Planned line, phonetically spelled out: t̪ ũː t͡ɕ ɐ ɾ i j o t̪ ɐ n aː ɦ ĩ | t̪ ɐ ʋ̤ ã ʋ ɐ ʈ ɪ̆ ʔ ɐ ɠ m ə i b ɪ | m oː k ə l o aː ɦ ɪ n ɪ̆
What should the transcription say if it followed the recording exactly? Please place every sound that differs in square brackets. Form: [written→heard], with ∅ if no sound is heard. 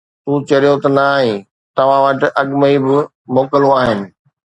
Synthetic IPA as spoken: t̪ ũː t͡ɕ ɐ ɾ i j o t̪ ɐ n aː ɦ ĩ | t̪ ɐ ʋ̤ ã ʋ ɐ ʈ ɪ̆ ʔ ɐ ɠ m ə i b ɪ | m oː k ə l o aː ɦ ɪ n ɪ̆